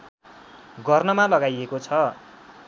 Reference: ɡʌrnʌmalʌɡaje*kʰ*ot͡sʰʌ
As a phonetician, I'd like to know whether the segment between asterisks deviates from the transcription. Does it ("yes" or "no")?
yes